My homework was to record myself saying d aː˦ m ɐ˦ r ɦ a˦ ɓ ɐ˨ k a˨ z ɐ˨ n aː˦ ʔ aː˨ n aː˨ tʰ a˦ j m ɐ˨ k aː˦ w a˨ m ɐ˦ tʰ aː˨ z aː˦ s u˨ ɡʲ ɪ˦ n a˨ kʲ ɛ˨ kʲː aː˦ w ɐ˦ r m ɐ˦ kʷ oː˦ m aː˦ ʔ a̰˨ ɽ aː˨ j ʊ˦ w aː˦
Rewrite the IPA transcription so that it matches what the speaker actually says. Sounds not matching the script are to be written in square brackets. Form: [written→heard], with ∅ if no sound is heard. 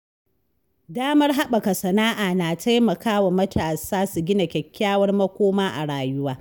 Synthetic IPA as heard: d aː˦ m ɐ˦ r ɦ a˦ ɓ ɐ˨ k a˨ [z→s] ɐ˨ n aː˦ ʔ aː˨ n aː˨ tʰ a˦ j m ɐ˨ k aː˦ w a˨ m ɐ˦ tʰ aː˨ [z→s] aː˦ s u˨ ɡʲ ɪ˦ n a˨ kʲ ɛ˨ kʲː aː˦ w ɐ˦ r m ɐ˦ kʷ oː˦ m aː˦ ʔ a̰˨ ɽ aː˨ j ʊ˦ w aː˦